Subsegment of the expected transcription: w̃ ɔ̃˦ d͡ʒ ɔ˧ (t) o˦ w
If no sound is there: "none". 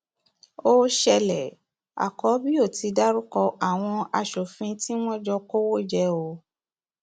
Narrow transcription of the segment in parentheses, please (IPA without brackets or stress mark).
k